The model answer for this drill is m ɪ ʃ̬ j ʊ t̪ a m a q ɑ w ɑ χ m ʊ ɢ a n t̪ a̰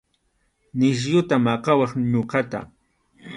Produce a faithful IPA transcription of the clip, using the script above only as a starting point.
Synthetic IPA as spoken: n ɪ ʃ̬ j ʊ t̪ a m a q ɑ w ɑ χ ɲ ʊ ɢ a t̪ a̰